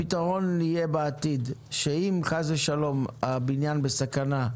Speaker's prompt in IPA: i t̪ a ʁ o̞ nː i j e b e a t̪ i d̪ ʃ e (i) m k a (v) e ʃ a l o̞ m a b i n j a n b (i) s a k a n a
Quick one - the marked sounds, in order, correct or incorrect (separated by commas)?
correct, incorrect, incorrect